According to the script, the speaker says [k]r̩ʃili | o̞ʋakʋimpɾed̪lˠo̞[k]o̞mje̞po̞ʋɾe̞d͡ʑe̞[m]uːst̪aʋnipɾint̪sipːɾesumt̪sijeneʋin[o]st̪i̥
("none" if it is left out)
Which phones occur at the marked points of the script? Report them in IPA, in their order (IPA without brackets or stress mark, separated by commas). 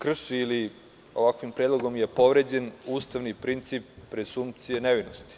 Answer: k, ɡ, n, o